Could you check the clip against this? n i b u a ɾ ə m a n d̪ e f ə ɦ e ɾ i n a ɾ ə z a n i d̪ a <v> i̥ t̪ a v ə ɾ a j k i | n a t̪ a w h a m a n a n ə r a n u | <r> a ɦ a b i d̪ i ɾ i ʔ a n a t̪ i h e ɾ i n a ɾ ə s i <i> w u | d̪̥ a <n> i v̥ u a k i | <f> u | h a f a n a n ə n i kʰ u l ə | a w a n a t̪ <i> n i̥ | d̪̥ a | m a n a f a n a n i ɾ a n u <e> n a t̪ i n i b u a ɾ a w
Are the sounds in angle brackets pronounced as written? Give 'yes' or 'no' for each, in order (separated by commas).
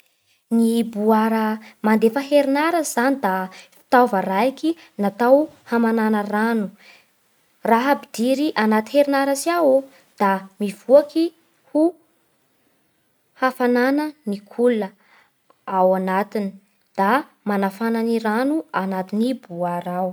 no, yes, no, no, no, yes, no